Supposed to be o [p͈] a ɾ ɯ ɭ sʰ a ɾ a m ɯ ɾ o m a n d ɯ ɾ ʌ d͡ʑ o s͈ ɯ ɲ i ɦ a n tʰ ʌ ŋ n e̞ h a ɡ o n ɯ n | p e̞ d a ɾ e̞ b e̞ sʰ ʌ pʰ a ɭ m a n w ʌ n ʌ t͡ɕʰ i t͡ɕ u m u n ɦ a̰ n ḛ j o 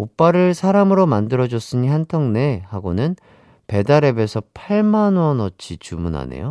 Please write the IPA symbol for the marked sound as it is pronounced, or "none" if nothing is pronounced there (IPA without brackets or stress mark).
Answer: p͈